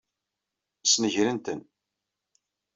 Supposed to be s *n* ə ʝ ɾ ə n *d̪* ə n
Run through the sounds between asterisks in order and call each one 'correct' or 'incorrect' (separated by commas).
correct, incorrect